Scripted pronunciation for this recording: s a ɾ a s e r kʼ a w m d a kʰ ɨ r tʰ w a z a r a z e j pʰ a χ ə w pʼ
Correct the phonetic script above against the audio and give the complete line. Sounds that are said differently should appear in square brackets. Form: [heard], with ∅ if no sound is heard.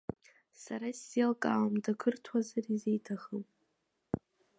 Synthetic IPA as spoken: s a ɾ a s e [l] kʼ a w m d a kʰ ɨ r tʰ w a z a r [i] z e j [tʰ] a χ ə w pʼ